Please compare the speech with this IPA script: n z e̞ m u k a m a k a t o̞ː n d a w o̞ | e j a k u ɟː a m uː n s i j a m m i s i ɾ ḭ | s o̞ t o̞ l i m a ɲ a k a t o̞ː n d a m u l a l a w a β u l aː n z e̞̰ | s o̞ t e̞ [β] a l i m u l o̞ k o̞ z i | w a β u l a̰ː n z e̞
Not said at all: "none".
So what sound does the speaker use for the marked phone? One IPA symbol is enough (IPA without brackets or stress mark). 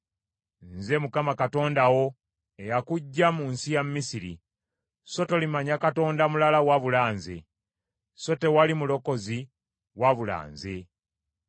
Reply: w